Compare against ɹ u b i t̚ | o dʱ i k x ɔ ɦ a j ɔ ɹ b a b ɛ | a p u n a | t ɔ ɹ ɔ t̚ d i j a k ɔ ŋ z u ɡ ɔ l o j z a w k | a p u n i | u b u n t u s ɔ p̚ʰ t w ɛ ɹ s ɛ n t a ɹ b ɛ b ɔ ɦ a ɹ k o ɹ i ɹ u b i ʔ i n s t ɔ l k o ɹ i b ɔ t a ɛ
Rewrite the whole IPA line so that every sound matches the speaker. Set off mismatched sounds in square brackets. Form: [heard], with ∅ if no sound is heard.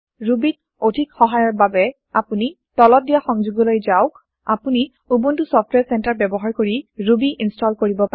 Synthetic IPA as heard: ɹ u b i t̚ | o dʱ i k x ɔ ɦ a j ɔ ɹ b a b ɛ | a p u n [i] | t ɔ [l] ɔ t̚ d i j a [x] ɔ ŋ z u ɡ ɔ l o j z a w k | a p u n i | u b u n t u s ɔ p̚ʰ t w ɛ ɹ s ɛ n t a ɹ b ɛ b ɔ ɦ a ɹ k o ɹ i ɹ u b i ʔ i n s t ɔ l k o ɹ i b ɔ [p] a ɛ